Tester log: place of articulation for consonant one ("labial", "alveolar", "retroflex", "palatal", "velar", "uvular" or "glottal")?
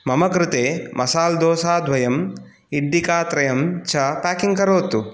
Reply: labial